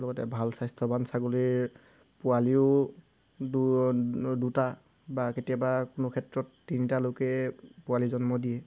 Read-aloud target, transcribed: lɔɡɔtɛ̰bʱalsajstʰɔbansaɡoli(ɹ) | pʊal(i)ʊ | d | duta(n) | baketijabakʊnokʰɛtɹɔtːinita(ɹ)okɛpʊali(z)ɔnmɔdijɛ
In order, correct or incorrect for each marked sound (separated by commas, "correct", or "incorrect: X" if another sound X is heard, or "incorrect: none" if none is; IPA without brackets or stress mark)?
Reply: correct, correct, incorrect: none, incorrect: l, correct